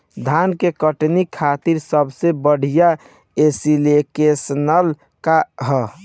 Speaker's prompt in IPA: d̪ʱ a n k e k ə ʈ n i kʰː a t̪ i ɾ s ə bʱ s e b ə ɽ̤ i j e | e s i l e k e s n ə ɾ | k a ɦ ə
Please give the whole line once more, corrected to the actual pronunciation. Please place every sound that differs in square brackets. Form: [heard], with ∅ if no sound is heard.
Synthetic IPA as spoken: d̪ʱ a n k e k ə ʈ n i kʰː a t̪ i ɾ s ə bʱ s e b ə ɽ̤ i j [a] | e s i l e k e s n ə [l] | k a ɦ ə